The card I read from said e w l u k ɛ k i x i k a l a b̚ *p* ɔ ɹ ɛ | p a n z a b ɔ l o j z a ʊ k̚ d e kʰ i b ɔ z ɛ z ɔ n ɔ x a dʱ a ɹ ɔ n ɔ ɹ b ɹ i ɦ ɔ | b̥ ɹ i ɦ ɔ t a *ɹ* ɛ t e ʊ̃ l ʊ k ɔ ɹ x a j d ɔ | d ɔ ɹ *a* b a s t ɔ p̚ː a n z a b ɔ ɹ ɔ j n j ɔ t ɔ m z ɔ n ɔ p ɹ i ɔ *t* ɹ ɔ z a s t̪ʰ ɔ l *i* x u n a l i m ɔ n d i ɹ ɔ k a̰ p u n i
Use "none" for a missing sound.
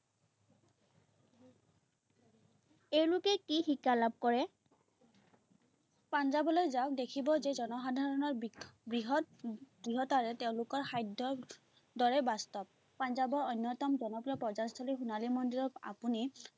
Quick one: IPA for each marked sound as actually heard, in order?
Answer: k, ɹ, ɛ, p, i

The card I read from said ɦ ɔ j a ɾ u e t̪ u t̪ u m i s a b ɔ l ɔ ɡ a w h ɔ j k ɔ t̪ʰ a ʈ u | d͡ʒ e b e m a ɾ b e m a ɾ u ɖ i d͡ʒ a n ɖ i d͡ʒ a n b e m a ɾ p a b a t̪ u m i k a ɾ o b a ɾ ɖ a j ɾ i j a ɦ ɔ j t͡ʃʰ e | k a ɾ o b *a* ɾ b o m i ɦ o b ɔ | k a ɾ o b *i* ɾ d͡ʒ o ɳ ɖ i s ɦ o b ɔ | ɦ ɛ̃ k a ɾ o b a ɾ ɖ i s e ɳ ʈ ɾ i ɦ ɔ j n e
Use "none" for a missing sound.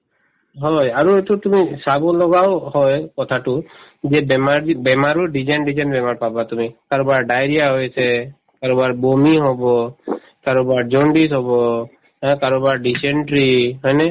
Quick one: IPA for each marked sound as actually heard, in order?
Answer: a, a

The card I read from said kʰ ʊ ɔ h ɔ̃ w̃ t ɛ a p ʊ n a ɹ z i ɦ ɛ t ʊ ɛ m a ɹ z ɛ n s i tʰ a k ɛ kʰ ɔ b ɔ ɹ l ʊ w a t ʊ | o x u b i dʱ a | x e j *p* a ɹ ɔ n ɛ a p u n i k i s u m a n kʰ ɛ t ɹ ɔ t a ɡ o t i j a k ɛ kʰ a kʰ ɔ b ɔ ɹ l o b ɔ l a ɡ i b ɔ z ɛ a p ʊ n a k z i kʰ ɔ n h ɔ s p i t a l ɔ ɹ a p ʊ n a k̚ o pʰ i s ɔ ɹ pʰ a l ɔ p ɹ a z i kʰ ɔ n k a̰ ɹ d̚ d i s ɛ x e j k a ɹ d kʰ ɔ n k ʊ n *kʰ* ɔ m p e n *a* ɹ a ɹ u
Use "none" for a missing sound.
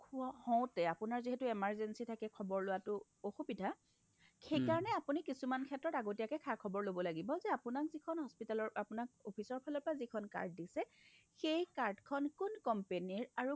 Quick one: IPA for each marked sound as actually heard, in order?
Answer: k, k, i

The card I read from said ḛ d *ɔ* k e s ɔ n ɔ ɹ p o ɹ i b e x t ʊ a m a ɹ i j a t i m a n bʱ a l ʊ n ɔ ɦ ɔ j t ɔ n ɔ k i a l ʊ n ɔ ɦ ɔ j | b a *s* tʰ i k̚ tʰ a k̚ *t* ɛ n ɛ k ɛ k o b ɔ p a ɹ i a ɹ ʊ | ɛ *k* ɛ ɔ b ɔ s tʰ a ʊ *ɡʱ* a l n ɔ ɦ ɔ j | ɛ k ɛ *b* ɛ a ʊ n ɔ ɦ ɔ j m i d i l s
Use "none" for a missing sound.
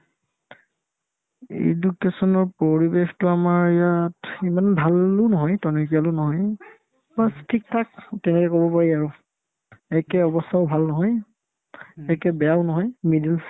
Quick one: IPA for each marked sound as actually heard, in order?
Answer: u, s, t, k, bʱ, b

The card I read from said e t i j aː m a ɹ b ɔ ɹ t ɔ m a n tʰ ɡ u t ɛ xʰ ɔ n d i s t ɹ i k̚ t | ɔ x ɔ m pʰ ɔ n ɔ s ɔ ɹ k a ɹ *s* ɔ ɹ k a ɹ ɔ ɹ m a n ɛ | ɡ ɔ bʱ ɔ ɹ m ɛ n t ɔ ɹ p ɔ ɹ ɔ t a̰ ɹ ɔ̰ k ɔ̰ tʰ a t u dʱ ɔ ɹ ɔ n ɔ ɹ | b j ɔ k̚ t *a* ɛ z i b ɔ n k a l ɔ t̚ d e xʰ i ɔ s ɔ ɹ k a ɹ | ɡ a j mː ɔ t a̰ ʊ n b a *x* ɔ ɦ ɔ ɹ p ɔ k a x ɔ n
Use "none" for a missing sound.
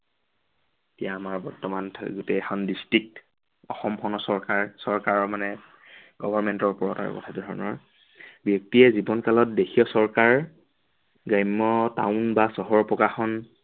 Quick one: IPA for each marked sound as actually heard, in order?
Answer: s, i, s

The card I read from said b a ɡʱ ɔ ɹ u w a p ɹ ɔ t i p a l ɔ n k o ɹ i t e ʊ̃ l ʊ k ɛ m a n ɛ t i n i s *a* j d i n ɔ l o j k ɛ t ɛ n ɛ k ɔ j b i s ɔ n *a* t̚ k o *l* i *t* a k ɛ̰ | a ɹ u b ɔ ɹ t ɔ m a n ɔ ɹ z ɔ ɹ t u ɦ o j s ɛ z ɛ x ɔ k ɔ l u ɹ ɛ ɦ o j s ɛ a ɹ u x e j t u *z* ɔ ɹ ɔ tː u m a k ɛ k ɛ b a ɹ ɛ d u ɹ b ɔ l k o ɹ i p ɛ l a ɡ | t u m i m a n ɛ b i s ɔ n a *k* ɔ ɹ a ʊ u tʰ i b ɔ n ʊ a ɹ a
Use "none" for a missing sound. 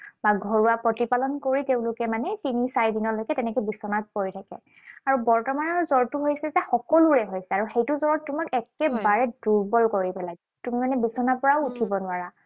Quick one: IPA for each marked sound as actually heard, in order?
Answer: a, a, ɹ, tʰ, z, p

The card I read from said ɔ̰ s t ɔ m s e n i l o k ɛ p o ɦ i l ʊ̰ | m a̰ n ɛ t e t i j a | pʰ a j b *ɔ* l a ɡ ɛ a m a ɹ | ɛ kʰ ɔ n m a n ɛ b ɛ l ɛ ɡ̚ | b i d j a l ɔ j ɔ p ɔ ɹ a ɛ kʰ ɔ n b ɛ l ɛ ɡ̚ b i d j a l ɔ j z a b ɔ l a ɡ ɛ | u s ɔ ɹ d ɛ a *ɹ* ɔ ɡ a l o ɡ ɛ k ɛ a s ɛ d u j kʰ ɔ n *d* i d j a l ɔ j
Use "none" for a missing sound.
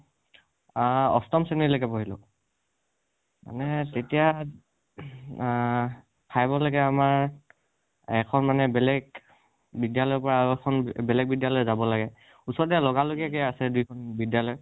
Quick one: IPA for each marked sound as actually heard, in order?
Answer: ɔ, l, b

